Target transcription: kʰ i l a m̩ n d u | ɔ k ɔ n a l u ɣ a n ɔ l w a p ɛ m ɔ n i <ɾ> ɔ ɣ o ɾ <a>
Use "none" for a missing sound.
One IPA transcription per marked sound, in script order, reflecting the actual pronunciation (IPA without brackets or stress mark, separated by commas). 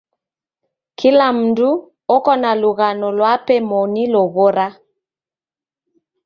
l, a